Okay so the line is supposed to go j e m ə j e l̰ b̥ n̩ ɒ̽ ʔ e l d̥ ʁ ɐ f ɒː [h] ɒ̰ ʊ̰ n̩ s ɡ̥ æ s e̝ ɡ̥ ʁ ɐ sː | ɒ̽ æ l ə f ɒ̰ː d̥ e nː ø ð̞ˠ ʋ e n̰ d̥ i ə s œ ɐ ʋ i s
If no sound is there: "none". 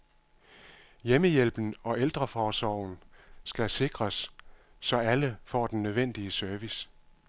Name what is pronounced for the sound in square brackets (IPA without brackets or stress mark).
s